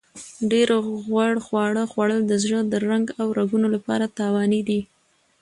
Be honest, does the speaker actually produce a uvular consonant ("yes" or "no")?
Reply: no